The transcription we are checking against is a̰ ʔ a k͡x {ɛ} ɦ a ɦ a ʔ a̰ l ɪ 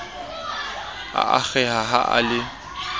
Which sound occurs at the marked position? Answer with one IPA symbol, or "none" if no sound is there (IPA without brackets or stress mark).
ɛ